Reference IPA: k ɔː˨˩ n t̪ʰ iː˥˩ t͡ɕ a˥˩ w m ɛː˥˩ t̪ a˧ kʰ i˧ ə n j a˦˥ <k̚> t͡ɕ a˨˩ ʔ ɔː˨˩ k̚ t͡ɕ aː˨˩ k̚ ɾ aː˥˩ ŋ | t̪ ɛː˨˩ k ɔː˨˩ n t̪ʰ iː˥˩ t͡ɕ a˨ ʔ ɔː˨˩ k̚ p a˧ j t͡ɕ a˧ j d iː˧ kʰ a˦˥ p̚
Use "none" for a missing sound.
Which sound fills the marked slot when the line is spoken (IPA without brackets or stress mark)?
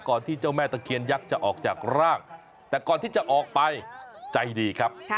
k̚